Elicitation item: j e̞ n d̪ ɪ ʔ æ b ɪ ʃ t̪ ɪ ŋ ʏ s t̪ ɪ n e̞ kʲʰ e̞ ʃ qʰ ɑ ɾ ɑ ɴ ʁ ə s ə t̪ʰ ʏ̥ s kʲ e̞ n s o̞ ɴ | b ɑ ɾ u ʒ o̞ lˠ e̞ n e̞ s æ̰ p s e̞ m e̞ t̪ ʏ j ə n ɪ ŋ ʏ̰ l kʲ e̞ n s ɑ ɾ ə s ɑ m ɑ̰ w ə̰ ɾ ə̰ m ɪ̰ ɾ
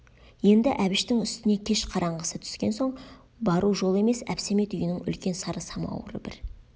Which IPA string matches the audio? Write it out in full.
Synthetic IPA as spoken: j e̞ n d̪ ɪ ʔ æ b ɪ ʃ t̪ ɪ ŋ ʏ s t̪ ɪ n e̞ kʲʰ e̞ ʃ qʰ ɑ ɾ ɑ ɴ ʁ ə s ə t̪ʰ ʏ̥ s kʲ e̞ n s o̞ ɴ | b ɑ ɾ u ʒ o̞ lˠ e̞ m e̞ s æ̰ p s e̞ m e̞ t̪ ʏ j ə n ɪ ŋ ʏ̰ l kʲ e̞ n s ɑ ɾ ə s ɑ m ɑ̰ w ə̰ ɾ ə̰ b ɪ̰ ɾ